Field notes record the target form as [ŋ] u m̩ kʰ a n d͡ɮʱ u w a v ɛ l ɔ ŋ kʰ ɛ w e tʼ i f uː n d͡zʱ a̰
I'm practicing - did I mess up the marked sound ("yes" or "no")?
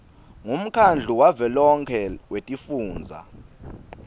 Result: no